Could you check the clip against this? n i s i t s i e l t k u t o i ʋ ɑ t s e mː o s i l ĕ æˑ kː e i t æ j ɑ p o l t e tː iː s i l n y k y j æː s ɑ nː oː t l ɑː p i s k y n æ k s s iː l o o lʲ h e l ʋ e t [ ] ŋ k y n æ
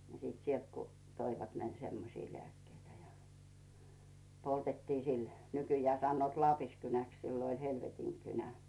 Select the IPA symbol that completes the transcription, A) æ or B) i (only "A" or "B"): B